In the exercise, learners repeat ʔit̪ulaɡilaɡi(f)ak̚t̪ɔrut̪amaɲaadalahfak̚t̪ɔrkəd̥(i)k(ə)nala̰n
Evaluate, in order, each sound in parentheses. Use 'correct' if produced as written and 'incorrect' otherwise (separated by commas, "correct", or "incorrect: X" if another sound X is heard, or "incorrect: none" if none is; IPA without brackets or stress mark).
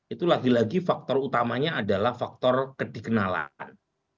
correct, correct, correct